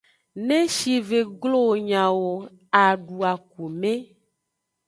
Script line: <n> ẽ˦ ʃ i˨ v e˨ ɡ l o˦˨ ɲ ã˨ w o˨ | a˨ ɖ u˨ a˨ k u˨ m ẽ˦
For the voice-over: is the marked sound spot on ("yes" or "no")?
yes